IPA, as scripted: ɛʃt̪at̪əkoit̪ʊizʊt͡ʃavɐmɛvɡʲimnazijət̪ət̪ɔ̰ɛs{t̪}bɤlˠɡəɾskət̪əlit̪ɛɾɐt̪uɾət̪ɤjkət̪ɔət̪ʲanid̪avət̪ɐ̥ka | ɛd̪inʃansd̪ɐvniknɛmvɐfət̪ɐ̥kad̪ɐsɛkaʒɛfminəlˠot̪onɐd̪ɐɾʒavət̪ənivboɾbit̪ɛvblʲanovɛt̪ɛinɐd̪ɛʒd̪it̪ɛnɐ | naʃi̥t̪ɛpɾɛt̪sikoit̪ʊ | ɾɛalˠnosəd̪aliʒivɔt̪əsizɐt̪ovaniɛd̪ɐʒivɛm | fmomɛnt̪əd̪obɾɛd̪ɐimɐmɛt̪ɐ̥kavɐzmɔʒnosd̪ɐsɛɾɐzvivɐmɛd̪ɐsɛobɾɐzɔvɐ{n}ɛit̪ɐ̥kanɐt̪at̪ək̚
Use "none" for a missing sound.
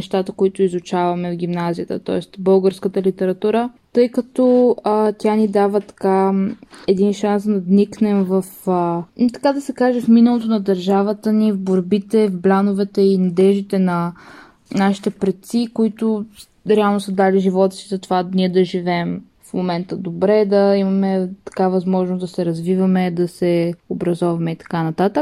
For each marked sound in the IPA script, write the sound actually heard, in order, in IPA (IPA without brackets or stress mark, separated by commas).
t̪, m